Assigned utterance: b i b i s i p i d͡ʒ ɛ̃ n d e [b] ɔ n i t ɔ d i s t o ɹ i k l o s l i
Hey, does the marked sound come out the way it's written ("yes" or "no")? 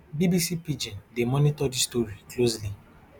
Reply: no